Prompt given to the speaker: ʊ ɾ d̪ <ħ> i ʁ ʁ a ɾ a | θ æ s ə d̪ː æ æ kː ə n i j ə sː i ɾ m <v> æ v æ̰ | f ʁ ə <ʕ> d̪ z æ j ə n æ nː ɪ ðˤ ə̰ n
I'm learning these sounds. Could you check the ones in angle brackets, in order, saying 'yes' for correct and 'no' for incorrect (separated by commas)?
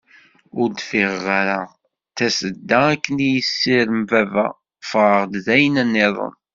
no, yes, no